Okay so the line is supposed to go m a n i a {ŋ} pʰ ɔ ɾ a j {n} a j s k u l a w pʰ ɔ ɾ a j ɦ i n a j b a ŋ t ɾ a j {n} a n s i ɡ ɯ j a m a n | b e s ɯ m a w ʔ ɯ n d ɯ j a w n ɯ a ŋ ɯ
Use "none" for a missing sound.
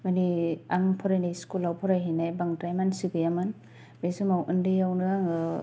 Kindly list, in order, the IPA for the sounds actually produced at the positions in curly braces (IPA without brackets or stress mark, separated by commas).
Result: ŋ, n, m